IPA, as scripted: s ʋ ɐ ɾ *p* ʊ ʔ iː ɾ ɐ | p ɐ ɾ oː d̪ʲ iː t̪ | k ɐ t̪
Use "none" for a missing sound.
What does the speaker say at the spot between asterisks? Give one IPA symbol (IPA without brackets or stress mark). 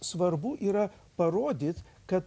b